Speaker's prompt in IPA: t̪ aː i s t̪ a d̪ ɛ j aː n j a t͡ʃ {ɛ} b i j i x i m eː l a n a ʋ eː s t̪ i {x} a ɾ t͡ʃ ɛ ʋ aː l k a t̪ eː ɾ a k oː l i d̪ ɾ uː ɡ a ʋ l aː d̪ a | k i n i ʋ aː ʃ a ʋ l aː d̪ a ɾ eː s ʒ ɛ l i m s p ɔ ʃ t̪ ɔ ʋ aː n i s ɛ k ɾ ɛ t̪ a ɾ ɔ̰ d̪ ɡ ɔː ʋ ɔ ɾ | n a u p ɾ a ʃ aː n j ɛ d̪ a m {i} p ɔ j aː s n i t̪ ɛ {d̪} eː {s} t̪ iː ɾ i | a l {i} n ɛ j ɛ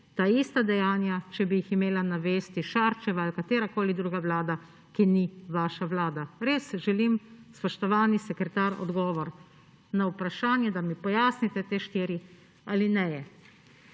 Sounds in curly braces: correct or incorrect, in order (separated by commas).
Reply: correct, incorrect, correct, incorrect, incorrect, correct